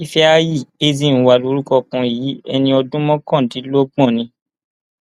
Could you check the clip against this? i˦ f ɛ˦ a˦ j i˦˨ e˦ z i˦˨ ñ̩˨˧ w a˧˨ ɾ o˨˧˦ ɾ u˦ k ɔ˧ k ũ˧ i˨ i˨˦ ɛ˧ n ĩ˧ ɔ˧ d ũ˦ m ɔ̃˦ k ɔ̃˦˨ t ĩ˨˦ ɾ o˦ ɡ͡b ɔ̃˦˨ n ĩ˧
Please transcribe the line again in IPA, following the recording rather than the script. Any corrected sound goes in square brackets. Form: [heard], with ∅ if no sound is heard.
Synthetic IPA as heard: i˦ f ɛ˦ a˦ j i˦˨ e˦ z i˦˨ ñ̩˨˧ w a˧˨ [l] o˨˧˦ ɾ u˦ k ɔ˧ k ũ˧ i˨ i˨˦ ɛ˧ n ĩ˧ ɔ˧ d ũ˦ m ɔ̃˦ k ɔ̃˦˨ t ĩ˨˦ [l] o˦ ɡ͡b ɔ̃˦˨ n ĩ˧